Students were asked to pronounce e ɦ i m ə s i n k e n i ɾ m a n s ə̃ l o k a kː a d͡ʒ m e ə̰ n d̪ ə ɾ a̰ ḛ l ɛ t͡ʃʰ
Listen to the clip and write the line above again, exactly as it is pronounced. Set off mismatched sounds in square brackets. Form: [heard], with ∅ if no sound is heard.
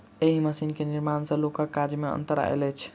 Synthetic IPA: e ɦ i m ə s i n k e n i ɾ m a n s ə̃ l o k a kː a d͡ʒ m e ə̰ n [t̪] ə ɾ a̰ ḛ l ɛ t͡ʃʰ